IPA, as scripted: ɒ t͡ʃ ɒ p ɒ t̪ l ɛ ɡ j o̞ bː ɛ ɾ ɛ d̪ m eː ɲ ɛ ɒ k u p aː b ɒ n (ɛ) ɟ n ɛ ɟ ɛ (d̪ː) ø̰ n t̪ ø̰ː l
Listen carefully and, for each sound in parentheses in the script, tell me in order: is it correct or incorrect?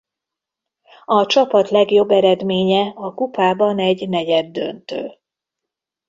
correct, correct

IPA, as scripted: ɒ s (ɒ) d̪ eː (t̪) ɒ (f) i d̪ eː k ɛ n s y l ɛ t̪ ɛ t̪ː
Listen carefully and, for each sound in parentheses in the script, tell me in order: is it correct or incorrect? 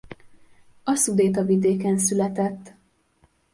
incorrect, correct, incorrect

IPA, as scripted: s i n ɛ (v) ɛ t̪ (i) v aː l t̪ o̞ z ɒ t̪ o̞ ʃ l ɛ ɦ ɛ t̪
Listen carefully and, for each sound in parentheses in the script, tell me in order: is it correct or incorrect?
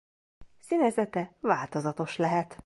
incorrect, incorrect

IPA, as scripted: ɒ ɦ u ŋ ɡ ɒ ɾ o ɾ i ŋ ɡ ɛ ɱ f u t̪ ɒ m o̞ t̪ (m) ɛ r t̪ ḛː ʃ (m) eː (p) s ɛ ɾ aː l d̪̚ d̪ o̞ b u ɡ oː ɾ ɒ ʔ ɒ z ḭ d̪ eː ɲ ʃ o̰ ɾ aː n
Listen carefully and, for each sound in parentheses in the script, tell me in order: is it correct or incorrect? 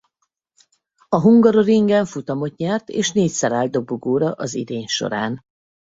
incorrect, incorrect, incorrect

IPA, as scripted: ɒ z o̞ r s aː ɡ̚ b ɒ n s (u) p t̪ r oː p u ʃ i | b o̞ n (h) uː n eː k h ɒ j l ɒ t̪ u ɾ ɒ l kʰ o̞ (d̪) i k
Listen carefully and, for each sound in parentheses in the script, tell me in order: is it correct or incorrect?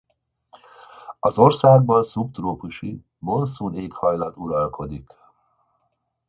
correct, incorrect, correct

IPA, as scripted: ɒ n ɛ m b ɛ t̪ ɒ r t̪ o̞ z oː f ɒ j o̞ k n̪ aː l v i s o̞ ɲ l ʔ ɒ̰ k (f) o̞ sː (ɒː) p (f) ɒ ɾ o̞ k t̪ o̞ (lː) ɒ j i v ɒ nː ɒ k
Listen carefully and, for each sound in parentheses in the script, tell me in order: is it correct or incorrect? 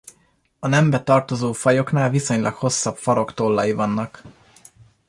incorrect, incorrect, correct, correct

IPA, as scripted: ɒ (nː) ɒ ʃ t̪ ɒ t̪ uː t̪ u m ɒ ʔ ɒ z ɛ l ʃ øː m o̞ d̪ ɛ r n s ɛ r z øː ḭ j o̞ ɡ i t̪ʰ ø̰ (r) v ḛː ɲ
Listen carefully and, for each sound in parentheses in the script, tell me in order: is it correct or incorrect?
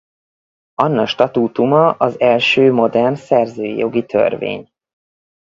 correct, correct

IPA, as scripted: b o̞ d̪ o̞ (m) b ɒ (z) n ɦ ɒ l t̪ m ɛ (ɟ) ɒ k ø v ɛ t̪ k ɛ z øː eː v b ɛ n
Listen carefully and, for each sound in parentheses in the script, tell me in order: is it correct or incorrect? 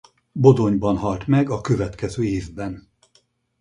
incorrect, incorrect, incorrect

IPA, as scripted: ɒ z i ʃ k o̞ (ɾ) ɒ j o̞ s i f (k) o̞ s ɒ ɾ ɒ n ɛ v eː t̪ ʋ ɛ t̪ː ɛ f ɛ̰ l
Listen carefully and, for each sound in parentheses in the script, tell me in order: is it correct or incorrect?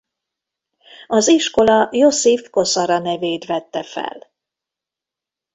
incorrect, correct

